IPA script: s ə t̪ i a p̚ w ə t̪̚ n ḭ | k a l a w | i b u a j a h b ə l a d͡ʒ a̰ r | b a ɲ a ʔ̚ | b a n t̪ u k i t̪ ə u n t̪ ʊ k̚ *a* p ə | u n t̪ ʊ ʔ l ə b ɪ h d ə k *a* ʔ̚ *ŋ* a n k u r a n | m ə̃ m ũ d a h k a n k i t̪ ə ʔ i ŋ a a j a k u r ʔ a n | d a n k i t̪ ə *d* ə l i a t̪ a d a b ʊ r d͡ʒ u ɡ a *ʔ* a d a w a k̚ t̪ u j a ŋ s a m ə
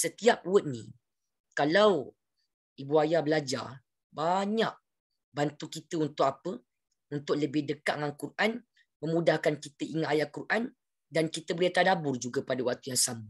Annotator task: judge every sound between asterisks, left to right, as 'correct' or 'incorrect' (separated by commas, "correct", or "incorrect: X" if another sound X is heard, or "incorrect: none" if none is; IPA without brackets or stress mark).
correct, correct, correct, incorrect: b, incorrect: p